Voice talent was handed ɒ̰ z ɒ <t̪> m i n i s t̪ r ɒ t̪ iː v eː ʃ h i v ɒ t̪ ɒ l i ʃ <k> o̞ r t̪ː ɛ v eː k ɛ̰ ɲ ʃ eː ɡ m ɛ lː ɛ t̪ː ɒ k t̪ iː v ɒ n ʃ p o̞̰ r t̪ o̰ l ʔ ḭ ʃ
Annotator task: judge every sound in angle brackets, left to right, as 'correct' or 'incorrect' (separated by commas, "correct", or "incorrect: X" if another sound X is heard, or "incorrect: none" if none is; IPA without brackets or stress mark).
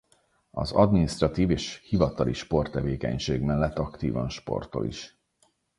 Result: incorrect: d̪, incorrect: p